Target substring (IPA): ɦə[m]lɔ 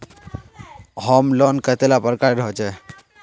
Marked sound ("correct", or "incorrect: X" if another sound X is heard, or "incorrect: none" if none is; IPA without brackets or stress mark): correct